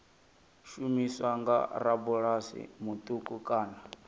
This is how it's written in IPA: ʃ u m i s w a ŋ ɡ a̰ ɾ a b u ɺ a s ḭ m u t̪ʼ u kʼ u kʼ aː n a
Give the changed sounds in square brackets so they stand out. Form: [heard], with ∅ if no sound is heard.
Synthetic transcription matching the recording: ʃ u m i s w a ŋ ɡ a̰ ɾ a b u ɺ a s ḭ m u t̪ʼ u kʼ u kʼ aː n a